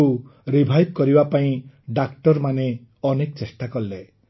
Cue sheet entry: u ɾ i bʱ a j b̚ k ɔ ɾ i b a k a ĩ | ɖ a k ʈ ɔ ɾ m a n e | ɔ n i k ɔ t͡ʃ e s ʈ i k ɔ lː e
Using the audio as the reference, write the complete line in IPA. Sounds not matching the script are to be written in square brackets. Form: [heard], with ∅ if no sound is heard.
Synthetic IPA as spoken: u ɾ i bʱ a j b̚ k ɔ ɾ i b a [p] a ĩ | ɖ a k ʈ ɔ ɾ m a n e | ɔ n [e] k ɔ t͡ʃ e s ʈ [a] k ɔ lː e

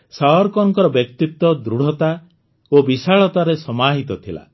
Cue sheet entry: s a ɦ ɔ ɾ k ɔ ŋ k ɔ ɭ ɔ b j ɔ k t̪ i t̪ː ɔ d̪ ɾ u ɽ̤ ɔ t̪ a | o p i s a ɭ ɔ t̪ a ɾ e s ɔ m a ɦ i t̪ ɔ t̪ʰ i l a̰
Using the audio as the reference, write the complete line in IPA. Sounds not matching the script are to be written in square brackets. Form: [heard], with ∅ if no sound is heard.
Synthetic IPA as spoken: s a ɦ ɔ ɾ k ɔ ŋ k ɔ [ɾ] ɔ b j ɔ k t̪ i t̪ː ɔ d̪ ɾ u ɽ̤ ɔ t̪ a | o [b] i s a ɭ ɔ t̪ a ɾ e s ɔ m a ɦ i t̪ ɔ t̪ʰ i l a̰

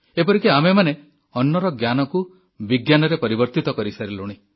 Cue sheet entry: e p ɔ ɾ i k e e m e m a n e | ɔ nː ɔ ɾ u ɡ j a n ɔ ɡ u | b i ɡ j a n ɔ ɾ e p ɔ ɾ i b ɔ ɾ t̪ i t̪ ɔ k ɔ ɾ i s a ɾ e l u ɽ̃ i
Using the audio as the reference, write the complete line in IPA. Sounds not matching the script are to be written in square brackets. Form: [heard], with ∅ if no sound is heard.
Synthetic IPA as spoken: e p ɔ ɾ i k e [a] m e m a n e | ɔ nː ɔ ɾ [ɔ] ɡ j a n ɔ [k] u | b i ɡ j a n ɔ ɾ e p ɔ ɾ i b ɔ ɾ t̪ i t̪ ɔ k ɔ ɾ i s a ɾ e l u ɽ̃ i

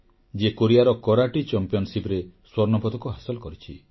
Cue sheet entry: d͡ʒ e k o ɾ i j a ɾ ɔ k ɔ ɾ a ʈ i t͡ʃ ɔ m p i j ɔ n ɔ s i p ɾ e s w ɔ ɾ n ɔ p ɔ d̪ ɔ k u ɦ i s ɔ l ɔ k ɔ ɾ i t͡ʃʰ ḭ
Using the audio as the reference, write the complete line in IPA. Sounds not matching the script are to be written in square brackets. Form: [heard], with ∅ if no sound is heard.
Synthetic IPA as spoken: d͡ʒ e k o ɾ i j a ɾ ɔ k ɔ ɾ a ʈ i t͡ʃ ɔ m p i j ɔ n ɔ s i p ɾ e s w ɔ ɾ n ɔ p ɔ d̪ ɔ k u ɦ [a] s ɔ l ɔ k ɔ ɾ i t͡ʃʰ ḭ

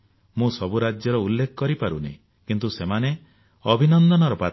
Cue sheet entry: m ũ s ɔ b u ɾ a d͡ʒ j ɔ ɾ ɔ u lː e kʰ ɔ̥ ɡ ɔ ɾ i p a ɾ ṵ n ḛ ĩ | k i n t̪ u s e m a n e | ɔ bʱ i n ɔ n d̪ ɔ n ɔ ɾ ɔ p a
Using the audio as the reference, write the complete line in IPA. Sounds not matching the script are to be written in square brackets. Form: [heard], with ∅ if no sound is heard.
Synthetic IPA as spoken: m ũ s ɔ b u ɾ a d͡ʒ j ɔ ɾ ɔ u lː e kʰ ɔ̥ [k] ɔ ɾ i p a ɾ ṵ n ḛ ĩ | k i n t̪ u s e m a n e | ɔ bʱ i n ɔ n d̪ ɔ n ɔ ɾ ɔ p a

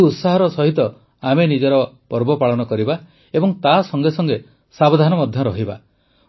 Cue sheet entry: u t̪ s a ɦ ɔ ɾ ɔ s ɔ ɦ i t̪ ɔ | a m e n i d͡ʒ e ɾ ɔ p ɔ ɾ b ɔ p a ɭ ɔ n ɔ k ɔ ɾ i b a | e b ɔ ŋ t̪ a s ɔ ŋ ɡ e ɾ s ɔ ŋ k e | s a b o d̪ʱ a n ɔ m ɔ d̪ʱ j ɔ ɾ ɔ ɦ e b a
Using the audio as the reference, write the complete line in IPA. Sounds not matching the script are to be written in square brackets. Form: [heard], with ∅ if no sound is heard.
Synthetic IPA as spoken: u t̪ s a ɦ ɔ ɾ ɔ s ɔ ɦ i t̪ ɔ | a m e n i d͡ʒ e ɾ ɔ p ɔ ɾ b ɔ p a ɭ ɔ n ɔ k ɔ ɾ i b a | e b ɔ ŋ t̪ a s ɔ ŋ ɡ e [∅] s ɔ ŋ [ɡ] e | s a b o d̪ʱ a n ɔ m ɔ d̪ʱ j ɔ ɾ ɔ ɦ [i] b a

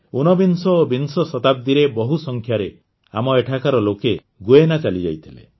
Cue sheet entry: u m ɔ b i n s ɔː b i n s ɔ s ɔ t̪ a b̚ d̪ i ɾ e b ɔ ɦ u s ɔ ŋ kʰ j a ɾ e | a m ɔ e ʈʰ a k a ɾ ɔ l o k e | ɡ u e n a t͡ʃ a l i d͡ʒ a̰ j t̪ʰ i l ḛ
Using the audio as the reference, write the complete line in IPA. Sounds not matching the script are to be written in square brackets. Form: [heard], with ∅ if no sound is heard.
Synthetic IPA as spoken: u [n] ɔ b i n s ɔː b i n s ɔ s ɔ t̪ a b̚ d̪ i ɾ e b ɔ ɦ u s ɔ ŋ kʰ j a ɾ e | a m ɔ e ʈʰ a k a ɾ ɔ l o k e | ɡ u e n a t͡ʃ a l i d͡ʒ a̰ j t̪ʰ i l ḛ

